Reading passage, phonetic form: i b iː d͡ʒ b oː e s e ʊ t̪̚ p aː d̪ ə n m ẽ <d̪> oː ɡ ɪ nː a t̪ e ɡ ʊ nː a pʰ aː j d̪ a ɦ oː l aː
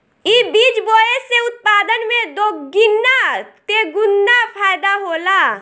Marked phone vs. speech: correct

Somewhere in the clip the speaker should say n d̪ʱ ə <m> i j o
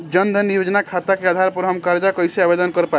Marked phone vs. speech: incorrect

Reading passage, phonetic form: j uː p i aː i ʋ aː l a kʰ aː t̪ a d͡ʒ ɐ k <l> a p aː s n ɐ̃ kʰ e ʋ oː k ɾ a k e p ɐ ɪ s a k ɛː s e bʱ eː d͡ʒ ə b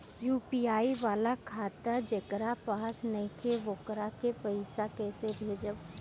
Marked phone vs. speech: incorrect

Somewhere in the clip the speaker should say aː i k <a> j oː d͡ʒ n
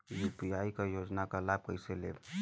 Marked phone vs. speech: correct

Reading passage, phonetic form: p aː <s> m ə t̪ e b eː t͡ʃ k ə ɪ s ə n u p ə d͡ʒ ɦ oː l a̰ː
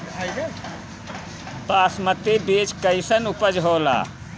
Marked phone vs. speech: correct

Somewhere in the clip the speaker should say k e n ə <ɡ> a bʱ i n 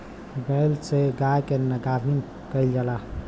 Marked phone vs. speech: correct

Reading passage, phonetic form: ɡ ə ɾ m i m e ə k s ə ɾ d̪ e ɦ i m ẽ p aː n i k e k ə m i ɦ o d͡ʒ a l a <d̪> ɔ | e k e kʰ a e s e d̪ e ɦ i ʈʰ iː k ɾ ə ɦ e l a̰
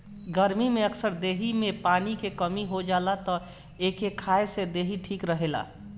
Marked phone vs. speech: incorrect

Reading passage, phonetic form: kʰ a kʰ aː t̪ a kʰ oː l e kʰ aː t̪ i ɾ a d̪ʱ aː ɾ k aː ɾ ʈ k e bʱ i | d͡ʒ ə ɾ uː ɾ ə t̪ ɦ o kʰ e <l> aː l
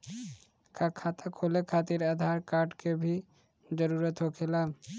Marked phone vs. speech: correct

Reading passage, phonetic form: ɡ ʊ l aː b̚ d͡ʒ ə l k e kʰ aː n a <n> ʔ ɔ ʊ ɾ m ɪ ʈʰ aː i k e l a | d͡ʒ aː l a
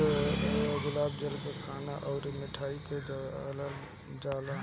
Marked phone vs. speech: incorrect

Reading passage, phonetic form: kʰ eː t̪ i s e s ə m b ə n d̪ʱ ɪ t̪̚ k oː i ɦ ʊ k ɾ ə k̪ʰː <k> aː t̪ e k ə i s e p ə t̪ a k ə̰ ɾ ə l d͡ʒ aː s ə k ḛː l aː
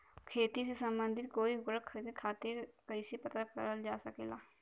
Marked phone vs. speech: incorrect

